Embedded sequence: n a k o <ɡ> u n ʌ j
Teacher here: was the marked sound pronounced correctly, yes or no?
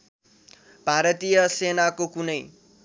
no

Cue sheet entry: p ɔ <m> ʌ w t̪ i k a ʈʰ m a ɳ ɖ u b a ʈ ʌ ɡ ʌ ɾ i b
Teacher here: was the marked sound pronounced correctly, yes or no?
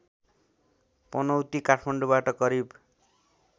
no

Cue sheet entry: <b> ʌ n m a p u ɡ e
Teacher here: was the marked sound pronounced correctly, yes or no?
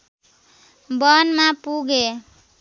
yes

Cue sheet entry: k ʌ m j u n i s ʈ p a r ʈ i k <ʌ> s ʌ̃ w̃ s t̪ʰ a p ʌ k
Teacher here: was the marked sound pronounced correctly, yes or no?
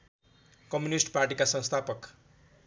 no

